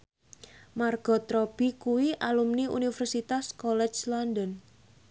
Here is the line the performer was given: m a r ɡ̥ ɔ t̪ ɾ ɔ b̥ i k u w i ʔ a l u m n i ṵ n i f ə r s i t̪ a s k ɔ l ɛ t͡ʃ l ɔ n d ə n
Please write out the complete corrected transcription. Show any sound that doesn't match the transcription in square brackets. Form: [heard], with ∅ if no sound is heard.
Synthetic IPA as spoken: m a r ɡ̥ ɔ t̪ ɾ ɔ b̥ i k u w i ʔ a l u m n i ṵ n i f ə r s i t̪ a s k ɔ l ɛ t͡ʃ l ɔ n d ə n